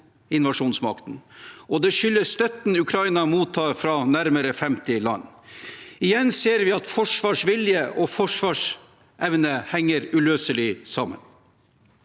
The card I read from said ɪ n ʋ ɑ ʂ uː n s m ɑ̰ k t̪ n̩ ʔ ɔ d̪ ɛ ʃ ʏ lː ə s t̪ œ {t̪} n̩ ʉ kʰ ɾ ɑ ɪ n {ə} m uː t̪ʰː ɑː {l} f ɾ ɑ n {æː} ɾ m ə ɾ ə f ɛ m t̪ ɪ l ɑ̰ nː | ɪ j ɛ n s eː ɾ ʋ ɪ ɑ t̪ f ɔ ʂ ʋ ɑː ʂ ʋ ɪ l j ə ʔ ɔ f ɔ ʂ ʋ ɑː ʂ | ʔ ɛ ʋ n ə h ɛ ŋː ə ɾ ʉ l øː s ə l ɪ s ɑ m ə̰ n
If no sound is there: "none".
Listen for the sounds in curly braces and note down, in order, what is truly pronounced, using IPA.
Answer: t̪, ɑ, ɾ, æ

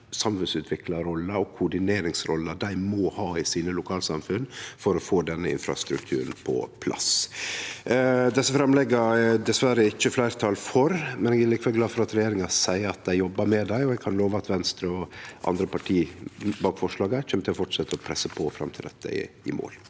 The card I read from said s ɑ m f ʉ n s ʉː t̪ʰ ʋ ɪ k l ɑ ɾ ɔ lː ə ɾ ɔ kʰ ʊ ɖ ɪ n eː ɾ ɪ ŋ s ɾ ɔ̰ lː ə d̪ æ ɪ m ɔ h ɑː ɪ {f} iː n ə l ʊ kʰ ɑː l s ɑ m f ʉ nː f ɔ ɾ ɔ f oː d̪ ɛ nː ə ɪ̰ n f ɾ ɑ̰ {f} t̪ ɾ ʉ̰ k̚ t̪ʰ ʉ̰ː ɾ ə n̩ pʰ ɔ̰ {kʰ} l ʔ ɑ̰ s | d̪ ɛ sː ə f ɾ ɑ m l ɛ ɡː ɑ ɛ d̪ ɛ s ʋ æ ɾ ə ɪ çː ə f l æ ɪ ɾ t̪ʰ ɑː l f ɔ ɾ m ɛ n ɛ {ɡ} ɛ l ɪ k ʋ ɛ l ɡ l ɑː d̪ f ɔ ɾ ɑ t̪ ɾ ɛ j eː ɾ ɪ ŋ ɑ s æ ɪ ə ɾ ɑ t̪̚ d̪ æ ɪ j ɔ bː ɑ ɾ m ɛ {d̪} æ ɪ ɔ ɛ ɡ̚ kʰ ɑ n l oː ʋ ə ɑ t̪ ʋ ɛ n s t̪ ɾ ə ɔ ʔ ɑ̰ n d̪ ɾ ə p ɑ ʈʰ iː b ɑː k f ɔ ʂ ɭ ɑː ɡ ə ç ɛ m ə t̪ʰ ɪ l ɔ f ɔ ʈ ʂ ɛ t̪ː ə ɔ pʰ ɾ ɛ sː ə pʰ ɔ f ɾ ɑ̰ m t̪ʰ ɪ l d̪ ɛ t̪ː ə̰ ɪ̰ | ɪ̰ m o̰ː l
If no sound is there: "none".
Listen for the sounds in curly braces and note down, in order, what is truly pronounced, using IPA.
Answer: s, s, pʰ, ɡ, d̪

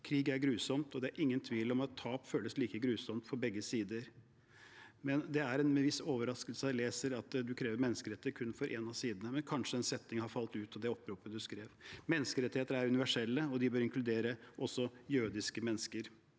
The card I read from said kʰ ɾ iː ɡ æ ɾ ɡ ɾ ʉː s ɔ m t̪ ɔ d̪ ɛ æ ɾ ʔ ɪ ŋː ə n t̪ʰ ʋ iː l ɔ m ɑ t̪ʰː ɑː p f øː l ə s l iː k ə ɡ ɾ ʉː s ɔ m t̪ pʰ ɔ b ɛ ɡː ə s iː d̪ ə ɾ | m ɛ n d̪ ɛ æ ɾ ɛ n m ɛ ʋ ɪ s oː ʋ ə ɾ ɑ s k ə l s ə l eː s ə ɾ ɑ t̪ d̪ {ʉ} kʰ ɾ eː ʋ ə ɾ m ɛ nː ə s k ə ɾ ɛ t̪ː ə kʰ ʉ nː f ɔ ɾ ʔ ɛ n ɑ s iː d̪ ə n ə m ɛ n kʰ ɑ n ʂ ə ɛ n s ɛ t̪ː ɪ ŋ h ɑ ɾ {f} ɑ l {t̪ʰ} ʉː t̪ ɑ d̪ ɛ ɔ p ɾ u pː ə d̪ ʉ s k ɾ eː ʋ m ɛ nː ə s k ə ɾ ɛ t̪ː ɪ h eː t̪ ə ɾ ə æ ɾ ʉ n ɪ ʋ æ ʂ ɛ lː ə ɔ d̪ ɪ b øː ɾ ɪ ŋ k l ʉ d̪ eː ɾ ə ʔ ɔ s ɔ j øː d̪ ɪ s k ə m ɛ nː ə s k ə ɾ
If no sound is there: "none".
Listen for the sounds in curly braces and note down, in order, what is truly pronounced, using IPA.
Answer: ʉ, f, t̪

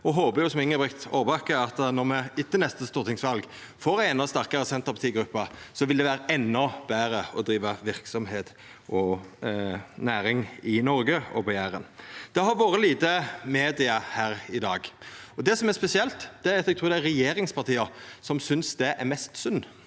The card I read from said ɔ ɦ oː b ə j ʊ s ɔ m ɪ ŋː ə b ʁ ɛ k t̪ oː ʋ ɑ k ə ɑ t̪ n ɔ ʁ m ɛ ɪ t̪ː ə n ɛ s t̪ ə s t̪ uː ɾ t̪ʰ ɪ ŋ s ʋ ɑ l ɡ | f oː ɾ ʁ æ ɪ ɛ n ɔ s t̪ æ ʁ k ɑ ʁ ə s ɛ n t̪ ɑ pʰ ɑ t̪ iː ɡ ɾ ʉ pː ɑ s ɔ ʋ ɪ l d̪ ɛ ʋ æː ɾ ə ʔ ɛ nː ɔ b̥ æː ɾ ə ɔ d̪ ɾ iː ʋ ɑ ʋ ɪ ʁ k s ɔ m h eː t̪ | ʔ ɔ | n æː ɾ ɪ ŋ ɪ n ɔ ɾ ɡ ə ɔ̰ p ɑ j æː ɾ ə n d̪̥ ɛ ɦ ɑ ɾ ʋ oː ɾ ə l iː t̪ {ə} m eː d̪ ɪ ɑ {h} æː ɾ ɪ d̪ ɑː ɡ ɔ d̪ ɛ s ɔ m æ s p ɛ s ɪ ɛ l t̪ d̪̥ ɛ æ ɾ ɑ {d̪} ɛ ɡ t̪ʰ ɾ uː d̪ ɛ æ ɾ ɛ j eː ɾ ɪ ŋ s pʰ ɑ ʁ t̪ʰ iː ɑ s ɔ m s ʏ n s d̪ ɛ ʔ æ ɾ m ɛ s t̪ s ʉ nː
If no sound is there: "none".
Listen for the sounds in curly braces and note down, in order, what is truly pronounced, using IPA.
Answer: ə, h, t̪

